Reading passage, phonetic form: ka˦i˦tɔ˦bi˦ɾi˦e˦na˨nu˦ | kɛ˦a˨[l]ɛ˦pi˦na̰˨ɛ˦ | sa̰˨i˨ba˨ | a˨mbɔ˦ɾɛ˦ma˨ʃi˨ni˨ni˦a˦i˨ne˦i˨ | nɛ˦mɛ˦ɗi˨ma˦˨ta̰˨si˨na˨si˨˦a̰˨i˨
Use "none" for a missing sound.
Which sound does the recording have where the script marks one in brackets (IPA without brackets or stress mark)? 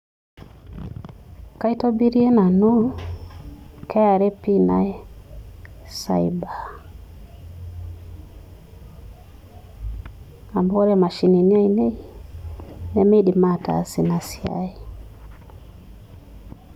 ɾ